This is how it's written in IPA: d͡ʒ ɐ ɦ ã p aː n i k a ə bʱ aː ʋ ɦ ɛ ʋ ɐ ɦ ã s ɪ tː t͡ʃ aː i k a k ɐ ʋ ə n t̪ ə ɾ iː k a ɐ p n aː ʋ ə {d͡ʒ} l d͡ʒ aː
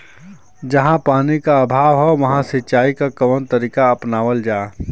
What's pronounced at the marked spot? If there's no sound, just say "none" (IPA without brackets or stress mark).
none